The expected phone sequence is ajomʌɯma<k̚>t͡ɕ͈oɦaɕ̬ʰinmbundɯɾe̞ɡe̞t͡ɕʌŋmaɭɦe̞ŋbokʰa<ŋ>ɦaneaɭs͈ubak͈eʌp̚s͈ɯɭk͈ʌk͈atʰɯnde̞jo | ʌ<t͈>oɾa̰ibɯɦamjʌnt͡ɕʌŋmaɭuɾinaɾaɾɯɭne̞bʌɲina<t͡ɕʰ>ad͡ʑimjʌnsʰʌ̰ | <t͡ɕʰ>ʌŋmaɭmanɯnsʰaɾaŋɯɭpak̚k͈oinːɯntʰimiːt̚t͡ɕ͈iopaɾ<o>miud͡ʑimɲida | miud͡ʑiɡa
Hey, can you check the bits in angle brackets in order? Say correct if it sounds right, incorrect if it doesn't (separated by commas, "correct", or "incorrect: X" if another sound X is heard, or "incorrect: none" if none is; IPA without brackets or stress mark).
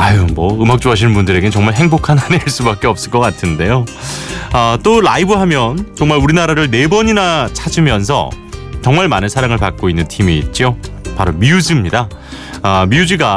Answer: correct, incorrect: n, correct, correct, incorrect: t͡ɕ, correct